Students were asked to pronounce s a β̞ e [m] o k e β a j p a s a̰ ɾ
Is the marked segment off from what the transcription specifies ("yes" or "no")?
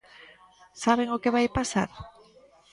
yes